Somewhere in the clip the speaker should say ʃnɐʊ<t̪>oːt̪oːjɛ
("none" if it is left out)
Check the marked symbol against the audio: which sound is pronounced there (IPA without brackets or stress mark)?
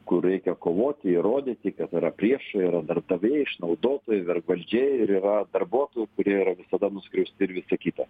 d̪